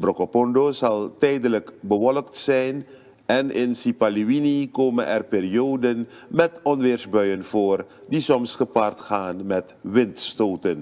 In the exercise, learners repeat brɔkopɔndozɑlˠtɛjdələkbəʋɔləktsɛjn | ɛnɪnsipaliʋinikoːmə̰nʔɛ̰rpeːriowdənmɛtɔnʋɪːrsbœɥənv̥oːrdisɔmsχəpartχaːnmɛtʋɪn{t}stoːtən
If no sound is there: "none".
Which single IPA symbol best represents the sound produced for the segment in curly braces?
t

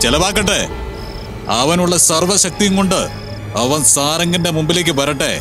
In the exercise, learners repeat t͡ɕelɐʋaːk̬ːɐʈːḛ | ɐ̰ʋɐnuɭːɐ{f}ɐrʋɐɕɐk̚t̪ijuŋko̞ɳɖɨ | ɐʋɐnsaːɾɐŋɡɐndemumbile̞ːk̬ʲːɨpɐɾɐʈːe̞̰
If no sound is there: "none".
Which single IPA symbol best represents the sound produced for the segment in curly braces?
s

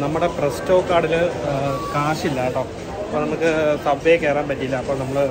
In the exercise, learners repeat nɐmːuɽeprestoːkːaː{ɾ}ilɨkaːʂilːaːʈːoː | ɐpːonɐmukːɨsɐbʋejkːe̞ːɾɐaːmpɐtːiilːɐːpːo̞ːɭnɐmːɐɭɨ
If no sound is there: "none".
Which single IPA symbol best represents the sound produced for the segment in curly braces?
ɽ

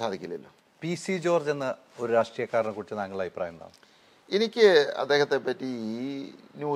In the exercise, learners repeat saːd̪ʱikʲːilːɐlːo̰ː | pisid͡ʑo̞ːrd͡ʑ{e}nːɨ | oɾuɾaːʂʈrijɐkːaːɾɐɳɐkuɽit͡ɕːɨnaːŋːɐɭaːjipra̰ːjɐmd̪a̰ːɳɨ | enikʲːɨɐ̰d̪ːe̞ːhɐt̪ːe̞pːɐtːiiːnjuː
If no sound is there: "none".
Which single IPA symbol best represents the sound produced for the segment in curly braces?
e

